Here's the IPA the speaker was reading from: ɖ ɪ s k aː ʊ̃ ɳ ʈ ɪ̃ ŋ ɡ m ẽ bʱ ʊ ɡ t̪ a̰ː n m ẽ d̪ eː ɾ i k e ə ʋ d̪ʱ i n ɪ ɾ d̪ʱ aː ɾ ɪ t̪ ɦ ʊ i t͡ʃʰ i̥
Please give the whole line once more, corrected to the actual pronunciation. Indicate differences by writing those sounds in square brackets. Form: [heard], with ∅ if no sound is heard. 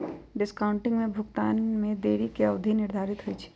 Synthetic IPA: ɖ ɪ s k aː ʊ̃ ɳ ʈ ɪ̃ ŋ ɡ m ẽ bʱ ʊ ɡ t̪ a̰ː n m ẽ d̪ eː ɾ i k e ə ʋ d̪ʱ i n ɪ ɾ d̪ʱ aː ɾ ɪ t̪ ɦ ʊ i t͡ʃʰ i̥